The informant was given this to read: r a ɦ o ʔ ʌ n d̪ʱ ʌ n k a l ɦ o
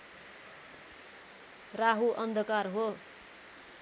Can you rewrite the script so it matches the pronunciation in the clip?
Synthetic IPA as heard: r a ɦ u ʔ ʌ n d̪ʱ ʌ k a r ɦ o